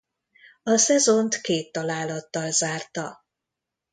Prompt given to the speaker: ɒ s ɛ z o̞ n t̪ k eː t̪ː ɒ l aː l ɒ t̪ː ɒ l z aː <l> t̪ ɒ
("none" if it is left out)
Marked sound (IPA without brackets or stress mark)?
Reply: r